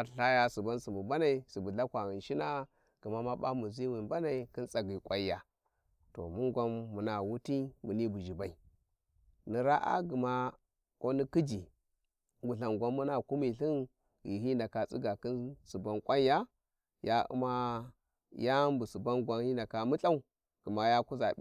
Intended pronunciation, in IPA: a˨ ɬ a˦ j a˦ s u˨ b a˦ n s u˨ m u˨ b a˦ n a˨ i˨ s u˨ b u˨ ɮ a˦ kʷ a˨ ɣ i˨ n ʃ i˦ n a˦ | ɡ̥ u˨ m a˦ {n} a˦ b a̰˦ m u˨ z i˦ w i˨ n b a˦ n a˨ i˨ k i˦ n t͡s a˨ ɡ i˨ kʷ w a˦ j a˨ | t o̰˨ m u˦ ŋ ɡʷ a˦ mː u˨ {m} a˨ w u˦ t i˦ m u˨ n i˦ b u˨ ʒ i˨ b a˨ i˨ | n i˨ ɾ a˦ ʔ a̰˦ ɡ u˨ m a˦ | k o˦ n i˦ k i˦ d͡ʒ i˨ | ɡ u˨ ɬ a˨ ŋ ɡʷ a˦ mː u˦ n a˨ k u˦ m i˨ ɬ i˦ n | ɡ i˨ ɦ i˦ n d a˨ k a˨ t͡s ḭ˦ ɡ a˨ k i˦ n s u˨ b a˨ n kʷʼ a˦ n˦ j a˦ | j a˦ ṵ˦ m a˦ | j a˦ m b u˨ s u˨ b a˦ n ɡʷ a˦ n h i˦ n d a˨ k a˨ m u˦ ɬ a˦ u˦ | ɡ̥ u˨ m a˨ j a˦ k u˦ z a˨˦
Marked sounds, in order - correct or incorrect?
incorrect, incorrect

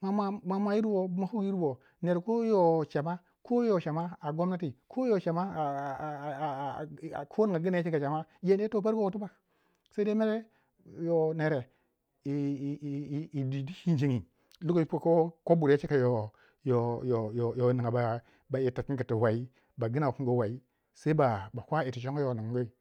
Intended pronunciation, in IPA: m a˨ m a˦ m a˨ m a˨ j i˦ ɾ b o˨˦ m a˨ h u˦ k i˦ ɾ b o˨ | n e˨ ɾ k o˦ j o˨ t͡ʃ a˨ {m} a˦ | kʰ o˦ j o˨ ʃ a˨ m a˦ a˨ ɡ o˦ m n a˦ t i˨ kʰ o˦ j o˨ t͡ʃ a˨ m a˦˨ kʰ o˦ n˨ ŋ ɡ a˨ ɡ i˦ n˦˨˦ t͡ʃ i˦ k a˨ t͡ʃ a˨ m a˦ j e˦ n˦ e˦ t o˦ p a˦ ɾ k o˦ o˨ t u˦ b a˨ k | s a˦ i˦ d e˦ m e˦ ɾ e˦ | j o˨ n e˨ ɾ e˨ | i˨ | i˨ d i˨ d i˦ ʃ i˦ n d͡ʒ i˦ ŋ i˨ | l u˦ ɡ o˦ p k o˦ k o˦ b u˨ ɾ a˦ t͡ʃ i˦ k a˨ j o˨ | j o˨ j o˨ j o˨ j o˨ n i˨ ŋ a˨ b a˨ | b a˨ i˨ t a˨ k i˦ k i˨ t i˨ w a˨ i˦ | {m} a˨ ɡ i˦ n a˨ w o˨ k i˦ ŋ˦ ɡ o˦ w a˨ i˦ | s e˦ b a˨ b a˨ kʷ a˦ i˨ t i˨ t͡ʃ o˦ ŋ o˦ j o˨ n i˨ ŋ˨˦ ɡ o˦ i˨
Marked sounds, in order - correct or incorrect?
correct, incorrect

